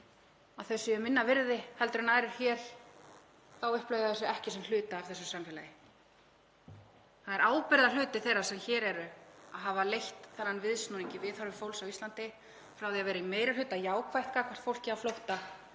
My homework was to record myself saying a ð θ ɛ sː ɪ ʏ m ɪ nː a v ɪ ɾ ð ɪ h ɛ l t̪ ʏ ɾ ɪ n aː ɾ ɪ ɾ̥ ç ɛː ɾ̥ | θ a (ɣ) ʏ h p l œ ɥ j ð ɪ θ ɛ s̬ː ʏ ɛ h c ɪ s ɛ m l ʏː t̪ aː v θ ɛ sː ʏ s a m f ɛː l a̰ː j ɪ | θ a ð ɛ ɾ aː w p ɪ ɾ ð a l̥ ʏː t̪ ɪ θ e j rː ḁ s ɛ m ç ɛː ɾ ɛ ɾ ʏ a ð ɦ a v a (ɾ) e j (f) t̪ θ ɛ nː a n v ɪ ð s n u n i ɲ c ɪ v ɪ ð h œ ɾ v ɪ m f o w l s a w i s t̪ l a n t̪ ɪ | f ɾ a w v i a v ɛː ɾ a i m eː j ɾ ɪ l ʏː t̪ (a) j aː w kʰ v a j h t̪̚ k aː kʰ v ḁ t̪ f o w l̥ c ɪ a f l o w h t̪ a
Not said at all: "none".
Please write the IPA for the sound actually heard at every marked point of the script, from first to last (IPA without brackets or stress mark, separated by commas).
w, l, h, a